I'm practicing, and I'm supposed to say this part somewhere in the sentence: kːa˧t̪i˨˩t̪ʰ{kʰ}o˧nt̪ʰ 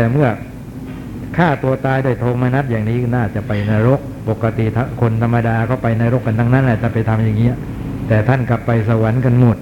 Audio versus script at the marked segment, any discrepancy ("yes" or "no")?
no